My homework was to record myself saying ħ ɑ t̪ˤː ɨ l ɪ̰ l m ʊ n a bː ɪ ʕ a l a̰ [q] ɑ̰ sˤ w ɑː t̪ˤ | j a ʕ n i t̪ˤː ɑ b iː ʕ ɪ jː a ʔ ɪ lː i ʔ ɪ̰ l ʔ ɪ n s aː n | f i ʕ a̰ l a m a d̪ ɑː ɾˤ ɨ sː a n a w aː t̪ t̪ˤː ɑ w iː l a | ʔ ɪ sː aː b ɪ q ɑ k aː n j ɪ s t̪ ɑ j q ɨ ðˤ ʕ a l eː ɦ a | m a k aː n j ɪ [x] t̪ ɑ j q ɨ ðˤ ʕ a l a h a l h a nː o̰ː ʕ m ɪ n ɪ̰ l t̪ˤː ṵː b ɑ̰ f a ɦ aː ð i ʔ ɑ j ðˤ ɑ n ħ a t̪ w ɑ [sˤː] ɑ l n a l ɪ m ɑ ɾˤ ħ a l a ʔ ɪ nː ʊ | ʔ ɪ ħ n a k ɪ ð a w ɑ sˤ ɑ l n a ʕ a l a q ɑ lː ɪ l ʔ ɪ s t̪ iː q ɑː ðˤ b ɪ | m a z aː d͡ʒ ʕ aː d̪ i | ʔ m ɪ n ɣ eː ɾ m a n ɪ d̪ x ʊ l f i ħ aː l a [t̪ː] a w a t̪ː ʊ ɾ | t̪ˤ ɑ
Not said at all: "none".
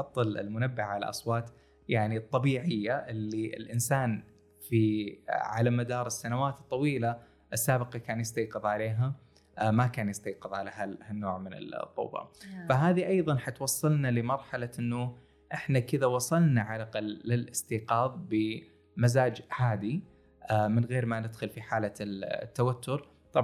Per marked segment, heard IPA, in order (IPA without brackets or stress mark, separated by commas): ʔ, s, sˤː, t̪ː